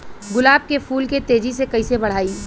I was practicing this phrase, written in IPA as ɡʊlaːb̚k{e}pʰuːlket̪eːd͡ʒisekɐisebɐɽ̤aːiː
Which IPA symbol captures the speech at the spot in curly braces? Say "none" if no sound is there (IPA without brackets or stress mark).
e